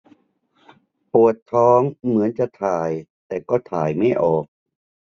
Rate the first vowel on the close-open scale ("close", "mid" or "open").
close